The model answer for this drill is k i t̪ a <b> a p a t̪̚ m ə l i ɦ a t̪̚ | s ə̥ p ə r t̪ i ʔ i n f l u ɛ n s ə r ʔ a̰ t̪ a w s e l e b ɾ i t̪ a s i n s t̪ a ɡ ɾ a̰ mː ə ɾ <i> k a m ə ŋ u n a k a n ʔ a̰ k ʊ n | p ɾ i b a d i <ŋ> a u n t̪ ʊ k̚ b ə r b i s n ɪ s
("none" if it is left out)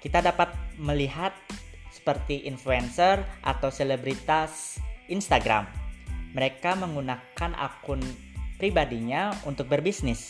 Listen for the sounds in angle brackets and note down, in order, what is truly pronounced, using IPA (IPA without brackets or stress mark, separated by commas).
d, e, ɲ